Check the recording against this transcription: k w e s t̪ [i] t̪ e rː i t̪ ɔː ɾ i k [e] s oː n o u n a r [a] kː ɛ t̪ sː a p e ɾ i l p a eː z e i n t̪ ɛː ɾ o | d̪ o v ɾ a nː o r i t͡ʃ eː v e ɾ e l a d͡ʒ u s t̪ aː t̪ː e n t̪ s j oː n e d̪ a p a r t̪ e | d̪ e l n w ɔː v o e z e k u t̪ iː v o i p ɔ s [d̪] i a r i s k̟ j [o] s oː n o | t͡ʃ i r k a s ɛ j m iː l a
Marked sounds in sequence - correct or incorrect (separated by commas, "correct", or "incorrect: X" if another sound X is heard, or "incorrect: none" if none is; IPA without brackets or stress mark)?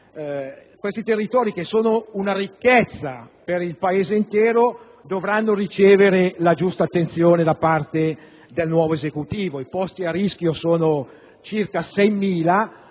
correct, correct, incorrect: i, incorrect: t̪, correct